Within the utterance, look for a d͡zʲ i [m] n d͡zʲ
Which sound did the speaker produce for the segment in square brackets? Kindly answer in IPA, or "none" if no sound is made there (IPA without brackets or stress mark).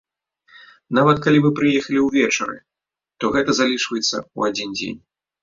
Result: none